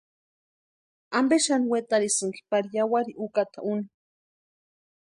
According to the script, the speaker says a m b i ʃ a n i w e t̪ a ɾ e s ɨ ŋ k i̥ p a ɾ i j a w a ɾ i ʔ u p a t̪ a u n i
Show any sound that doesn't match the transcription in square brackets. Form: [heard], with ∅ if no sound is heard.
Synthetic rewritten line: a m b [e] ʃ a n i w e t̪ a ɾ [i] s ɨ ŋ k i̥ p a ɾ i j a w a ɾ i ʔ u [k] a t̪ a u n i